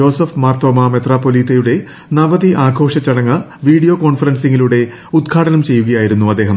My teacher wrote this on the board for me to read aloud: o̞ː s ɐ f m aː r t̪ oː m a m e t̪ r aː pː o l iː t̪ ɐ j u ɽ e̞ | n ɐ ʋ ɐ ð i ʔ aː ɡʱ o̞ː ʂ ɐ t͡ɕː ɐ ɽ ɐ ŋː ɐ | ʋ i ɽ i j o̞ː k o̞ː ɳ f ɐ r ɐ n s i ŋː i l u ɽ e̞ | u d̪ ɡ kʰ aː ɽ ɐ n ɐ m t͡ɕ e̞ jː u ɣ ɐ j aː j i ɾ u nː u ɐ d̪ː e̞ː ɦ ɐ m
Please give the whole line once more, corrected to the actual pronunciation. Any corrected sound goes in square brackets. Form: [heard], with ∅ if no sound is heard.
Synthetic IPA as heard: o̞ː s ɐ f m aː r t̪ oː m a m e t̪ r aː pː o l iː t̪ ɐ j u ɽ e̞ | n ɐ ʋ ɐ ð i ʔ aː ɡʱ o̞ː ʂ ɐ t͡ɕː ɐ ɽ ɐ ŋː ɐ | ʋ [iː] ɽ i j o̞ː k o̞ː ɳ f ɐ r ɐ n s i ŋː i l u ɽ e̞ | u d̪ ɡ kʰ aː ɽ ɐ n ɐ m t͡ɕ e̞ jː u ɣ ɐ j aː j i ɾ u nː u ɐ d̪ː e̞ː ɦ ɐ m

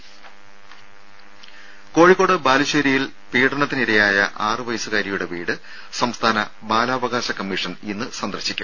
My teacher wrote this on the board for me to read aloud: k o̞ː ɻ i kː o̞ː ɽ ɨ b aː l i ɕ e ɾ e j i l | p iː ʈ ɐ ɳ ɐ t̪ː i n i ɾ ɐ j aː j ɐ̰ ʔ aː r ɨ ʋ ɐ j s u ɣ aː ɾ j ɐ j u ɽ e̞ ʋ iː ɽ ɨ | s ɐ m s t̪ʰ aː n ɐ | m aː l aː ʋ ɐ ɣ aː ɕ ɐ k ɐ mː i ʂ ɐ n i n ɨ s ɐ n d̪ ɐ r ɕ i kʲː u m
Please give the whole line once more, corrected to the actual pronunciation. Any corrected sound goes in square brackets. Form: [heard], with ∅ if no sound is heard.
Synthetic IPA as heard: k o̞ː ɻ i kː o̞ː ɽ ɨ b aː l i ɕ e ɾ [i] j i l | p iː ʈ ɐ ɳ ɐ t̪ː i n i ɾ ɐ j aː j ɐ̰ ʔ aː r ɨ ʋ ɐ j s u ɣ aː ɾ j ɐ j u ɽ e̞ ʋ iː ɽ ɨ | s ɐ m s t̪ʰ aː n ɐ | [b] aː l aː ʋ ɐ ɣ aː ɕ ɐ k ɐ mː i ʂ ɐ n i [nː] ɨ s ɐ n d̪ ɐ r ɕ i kʲː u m

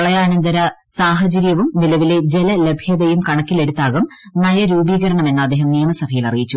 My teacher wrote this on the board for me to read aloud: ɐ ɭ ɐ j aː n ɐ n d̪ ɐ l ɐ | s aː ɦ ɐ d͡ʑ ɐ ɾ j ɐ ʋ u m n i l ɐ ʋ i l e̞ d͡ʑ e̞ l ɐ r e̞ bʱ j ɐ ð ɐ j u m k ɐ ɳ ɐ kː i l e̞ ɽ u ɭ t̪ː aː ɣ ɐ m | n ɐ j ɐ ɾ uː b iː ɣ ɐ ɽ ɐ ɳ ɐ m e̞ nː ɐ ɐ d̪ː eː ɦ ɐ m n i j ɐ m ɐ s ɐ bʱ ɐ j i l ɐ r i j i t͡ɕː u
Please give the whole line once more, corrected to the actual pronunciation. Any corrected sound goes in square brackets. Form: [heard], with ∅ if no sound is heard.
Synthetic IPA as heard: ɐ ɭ ɐ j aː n ɐ n d̪ ɐ [ɾ] ɐ | s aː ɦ ɐ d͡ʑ ɐ ɾ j ɐ ʋ u m n i l ɐ ʋ i l e̞ d͡ʑ e̞ l ɐ [l] e̞ bʱ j ɐ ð ɐ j u m k ɐ ɳ ɐ kː i l e̞ ɽ u [∅] t̪ː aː ɣ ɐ m | n ɐ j ɐ ɾ uː b iː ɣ ɐ [ɾ] ɐ ɳ ɐ m e̞ nː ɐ ɐ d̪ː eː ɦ ɐ m n i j ɐ m ɐ s ɐ bʱ ɐ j i l ɐ r i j i t͡ɕː u

